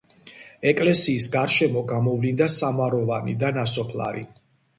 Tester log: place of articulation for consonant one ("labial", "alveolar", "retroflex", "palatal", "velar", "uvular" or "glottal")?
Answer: velar